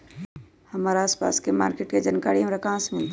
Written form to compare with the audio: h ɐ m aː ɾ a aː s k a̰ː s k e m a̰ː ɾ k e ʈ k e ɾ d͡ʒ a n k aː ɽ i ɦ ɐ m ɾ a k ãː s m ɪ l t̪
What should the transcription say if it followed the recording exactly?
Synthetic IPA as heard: h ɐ m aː ɾ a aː s p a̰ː s k e m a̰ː ɾ k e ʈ k e d͡ʒ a n k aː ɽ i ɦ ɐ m ɾ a k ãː s m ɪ l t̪